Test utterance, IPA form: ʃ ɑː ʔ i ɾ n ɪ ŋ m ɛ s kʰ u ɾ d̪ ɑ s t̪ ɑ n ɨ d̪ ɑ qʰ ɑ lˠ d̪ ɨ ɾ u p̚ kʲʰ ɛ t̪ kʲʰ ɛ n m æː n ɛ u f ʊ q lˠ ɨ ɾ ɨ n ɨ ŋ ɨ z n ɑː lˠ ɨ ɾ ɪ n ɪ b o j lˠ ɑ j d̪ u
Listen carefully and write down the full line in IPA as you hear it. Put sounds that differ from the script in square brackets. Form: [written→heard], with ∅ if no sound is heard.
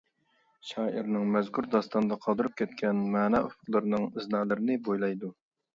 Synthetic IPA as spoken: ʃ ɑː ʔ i ɾ n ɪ ŋ m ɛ [s→z] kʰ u ɾ d̪ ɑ s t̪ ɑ n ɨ d̪ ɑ qʰ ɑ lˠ d̪ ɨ ɾ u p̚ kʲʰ ɛ t̪ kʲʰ ɛ n m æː n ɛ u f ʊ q lˠ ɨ ɾ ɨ n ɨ ŋ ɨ z n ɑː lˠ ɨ ɾ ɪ n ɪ b o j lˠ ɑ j d̪ u